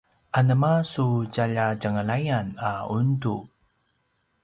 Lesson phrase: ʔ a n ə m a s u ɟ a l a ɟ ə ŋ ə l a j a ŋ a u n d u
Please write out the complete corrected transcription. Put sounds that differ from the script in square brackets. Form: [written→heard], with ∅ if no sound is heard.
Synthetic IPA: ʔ a n ə m a s u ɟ a [l→ʎ] a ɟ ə ŋ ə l a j a [ŋ→n] a u n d u